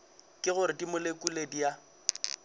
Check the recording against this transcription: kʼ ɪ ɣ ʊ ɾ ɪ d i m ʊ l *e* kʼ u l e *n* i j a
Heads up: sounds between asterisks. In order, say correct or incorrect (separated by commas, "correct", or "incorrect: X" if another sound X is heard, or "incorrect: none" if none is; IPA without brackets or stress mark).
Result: correct, incorrect: d